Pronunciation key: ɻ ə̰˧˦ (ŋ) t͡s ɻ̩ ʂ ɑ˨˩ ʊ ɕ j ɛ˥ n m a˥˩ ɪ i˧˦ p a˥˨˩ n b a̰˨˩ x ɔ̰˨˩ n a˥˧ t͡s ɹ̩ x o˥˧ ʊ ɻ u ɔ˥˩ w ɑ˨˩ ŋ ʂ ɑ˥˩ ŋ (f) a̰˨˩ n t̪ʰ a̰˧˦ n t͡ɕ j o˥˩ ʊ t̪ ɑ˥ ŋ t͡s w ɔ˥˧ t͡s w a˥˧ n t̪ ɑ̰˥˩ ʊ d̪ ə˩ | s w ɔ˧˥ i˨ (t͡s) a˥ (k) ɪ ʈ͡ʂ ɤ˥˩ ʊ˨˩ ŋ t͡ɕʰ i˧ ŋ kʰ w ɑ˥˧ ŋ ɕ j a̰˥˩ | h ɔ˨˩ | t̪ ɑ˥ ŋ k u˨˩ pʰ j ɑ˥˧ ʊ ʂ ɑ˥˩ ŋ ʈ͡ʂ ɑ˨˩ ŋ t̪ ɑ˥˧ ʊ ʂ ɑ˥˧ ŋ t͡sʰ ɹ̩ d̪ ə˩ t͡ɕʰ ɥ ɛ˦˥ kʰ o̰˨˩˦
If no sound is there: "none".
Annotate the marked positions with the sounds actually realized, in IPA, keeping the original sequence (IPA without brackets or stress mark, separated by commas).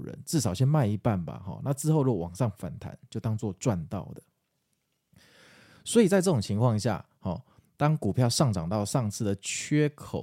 n, f, t͡s, none